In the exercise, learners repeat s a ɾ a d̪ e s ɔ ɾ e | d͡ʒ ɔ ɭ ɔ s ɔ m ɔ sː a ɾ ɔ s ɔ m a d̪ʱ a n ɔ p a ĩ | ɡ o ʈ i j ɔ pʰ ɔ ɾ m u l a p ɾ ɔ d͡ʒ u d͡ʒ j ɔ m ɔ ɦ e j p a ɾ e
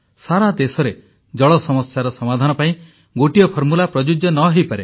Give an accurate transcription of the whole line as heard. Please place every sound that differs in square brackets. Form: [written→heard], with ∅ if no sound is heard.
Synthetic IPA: s a ɾ a d̪ e s ɔ ɾ e | d͡ʒ ɔ ɭ ɔ s ɔ m ɔ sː a ɾ ɔ s ɔ m a d̪ʱ a n ɔ p a ĩ | ɡ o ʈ i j ɔ pʰ ɔ ɾ m u l a p ɾ ɔ d͡ʒ u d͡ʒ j ɔ [m→n] ɔ ɦ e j p a ɾ e